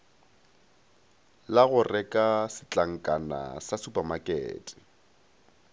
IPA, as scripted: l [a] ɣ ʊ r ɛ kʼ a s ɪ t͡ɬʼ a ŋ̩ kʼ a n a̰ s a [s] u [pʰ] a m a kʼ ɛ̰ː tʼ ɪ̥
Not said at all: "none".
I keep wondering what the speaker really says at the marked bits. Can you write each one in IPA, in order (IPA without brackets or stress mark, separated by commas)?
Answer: a, s, p